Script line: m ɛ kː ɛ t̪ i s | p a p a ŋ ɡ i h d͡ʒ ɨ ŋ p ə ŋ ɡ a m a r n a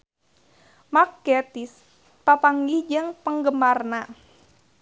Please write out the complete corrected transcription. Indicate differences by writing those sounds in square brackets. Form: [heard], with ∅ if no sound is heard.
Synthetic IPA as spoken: m [a] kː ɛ t̪ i s | p a p a ŋ ɡ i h d͡ʒ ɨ ŋ p ə ŋ ɡ [ə] m a r n a